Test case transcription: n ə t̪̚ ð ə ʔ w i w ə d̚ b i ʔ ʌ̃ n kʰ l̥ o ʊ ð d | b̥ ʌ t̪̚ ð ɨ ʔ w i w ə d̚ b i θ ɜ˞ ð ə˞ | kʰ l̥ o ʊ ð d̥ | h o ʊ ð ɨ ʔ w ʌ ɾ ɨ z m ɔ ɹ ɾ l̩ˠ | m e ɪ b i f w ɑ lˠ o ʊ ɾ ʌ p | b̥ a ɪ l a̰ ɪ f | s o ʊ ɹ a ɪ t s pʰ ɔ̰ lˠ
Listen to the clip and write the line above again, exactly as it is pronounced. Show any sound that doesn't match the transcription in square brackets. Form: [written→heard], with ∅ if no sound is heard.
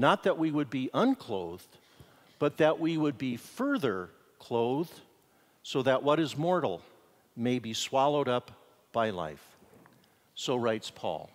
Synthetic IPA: n ə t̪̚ ð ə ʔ w i w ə d̚ b i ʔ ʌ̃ n kʰ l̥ o ʊ ð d | b̥ ʌ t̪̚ ð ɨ ʔ w i w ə d̚ b i [θ→f] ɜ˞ ð ə˞ | kʰ l̥ o ʊ ð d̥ | [h→s] o ʊ ð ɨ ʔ w ʌ ɾ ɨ z m ɔ ɹ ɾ l̩ˠ | m e ɪ b i [f→s] w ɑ lˠ o ʊ ɾ ʌ p | b̥ a ɪ l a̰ ɪ f | s o ʊ ɹ a ɪ t s pʰ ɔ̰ lˠ